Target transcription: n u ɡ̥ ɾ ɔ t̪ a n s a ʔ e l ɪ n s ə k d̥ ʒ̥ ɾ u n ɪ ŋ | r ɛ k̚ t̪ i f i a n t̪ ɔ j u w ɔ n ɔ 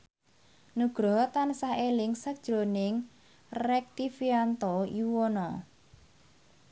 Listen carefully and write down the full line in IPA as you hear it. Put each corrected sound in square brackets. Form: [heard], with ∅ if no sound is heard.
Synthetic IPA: n u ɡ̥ ɾ ɔ t̪ a n s a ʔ e l ɪ [ŋ] s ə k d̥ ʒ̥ ɾ [o] n ɪ ŋ | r ɛ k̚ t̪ i f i a n t̪ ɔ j u w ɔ n ɔ

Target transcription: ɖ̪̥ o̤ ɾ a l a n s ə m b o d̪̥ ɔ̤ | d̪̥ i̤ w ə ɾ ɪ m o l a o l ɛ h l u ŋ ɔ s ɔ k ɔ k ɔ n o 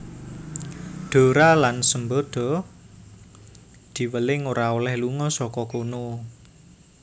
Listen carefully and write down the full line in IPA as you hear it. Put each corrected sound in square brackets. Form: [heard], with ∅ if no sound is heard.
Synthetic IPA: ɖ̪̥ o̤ ɾ a l a n s ə m b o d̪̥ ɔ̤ | d̪̥ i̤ w ə [l] ɪ [ŋ] o [ɾ] a o l ɛ h l u ŋ ɔ s ɔ k ɔ k [o] n o

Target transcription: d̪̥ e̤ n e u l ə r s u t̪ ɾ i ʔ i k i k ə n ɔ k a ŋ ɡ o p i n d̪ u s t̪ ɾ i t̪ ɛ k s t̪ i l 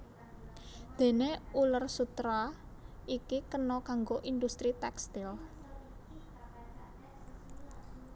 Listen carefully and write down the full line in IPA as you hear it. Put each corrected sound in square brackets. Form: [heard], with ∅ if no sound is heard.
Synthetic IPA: d̪̥ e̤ n e u l ə r s u t̪ ɾ [a] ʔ i k i k ə n ɔ k a ŋ ɡ o [ʔ] i n d̪ u s t̪ ɾ i t̪ ɛ k s t̪ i l

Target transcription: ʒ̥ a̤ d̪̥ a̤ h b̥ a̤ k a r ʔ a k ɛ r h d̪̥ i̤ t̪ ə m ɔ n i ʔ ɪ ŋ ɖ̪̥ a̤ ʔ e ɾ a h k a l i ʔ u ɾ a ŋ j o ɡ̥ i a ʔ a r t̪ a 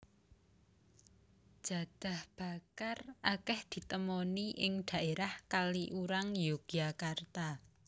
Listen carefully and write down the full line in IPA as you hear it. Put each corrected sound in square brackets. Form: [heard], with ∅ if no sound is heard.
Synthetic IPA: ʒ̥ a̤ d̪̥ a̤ h b̥ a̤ k a r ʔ a k ɛ [∅] h d̪̥ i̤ t̪ ə m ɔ n i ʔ ɪ ŋ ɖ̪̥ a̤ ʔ e ɾ a h k a l i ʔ u ɾ a ŋ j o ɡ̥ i a [k] a r t̪ a

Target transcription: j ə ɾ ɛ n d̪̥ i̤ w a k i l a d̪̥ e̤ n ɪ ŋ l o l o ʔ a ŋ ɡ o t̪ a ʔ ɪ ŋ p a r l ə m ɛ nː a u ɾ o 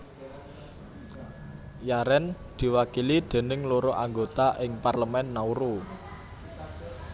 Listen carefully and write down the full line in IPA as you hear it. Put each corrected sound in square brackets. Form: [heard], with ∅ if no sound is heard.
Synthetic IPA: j [a] ɾ ɛ n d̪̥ i̤ w a k i l [i] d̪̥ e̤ n ɪ ŋ l o [ɾ] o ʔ a ŋ ɡ o t̪ a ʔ ɪ ŋ p a r l ə m ɛ nː a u ɾ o

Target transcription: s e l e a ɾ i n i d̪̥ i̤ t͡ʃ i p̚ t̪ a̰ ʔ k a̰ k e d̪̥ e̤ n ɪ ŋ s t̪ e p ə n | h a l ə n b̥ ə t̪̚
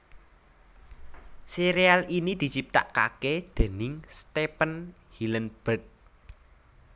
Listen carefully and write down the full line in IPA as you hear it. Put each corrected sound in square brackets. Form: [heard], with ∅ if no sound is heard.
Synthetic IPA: s e [ɾ] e a [l] i n i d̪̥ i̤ t͡ʃ i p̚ t̪ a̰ ʔ k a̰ k e d̪̥ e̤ n ɪ ŋ s t̪ e p ə n | h [i] l ə n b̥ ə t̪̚

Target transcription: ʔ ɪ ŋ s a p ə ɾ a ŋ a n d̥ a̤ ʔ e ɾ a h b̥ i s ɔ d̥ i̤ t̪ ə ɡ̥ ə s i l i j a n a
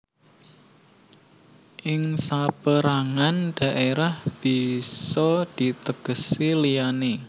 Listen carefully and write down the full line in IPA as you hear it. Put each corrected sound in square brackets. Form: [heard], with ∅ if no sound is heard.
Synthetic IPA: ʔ ɪ ŋ s a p ə ɾ a ŋ a n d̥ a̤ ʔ e ɾ a h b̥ i s ɔ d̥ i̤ t̪ ə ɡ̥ ə s i l i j a n [e]

